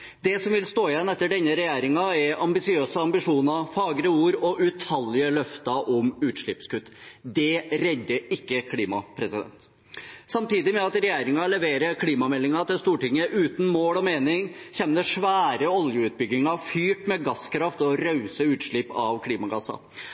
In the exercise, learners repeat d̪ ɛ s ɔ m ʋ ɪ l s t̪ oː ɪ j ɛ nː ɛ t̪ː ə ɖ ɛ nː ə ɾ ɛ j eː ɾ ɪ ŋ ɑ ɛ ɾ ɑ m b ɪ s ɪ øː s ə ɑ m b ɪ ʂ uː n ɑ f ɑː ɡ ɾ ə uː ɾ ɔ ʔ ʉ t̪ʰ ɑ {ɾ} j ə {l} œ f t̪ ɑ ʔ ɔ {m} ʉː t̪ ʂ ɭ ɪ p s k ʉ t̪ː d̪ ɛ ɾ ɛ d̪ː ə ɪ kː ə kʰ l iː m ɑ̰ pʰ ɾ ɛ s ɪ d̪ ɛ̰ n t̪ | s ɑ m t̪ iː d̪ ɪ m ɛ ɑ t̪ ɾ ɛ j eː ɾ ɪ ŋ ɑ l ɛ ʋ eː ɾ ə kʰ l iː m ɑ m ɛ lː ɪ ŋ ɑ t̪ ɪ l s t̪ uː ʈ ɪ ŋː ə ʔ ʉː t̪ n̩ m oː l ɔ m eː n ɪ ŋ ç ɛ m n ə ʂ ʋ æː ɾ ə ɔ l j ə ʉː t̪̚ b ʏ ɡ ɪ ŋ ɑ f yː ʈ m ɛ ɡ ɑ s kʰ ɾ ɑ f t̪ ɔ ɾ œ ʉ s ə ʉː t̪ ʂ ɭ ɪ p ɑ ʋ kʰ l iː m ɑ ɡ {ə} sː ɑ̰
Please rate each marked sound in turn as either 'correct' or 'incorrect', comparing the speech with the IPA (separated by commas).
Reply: incorrect, correct, correct, incorrect